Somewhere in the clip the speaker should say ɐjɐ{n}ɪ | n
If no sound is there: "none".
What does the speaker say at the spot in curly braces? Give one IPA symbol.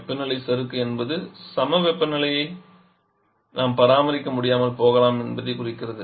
none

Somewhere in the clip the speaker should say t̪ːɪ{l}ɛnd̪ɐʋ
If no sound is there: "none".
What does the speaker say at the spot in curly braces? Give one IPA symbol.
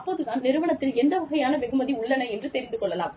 l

